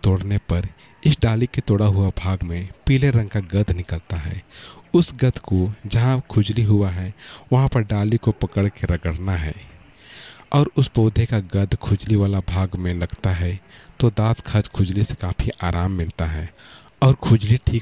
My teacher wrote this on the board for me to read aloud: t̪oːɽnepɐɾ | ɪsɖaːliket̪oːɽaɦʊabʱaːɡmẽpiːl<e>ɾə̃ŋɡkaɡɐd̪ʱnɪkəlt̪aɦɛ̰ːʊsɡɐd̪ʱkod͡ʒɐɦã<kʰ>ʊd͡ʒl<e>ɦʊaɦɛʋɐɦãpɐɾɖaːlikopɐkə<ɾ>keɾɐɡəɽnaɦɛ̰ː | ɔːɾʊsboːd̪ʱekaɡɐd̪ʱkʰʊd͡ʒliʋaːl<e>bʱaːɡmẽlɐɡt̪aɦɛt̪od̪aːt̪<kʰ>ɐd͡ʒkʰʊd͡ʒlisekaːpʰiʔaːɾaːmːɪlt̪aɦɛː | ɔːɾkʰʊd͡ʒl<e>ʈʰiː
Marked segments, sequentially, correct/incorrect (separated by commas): correct, correct, incorrect, incorrect, incorrect, correct, incorrect